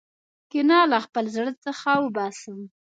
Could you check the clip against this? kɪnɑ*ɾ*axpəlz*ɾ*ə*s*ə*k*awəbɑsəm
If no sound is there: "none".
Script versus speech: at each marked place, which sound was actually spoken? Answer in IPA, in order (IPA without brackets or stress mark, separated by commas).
l, ɽ, t͡s, x